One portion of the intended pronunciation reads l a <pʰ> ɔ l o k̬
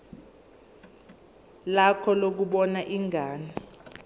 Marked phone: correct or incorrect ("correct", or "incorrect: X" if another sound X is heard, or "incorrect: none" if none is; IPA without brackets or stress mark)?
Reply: incorrect: kʰ